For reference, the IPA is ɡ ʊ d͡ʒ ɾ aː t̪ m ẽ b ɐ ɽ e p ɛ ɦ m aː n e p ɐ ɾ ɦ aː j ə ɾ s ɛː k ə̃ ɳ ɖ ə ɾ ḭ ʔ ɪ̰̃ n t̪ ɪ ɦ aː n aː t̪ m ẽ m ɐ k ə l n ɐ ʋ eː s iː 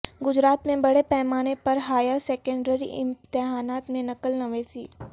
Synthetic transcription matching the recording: ɡ ʊ d͡ʒ ɾ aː t̪ m ẽ b ɐ ɽ e p ɛ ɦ m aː n e p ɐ ɾ ɦ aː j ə ɾ s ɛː k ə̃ ɳ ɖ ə ɾ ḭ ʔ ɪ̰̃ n t̪ ɪ ɦ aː n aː t̪ m ẽ n ɐ k ə l n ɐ ʋ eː s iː